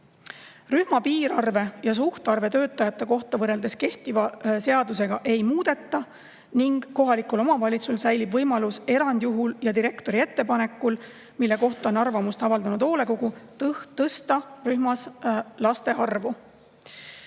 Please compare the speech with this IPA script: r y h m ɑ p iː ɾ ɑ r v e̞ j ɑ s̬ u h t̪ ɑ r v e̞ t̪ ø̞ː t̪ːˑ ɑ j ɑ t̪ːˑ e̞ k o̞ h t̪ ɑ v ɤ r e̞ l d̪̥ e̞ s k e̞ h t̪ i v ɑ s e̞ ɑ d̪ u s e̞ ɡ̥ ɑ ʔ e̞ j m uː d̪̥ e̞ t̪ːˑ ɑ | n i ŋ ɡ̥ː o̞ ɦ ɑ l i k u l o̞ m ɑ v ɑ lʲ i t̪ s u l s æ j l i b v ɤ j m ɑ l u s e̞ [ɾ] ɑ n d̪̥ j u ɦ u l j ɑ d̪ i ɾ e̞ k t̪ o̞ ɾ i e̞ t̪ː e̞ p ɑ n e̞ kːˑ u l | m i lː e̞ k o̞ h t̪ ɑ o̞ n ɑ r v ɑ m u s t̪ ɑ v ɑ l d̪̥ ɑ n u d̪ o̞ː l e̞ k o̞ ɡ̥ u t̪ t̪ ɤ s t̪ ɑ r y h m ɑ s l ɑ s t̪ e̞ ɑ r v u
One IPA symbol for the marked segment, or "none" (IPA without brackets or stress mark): ɾ